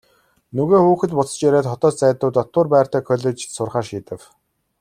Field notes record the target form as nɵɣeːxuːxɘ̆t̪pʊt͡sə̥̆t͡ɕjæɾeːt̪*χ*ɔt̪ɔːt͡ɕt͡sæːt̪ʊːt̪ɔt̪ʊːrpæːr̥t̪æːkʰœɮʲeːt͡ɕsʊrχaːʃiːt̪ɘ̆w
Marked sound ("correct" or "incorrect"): correct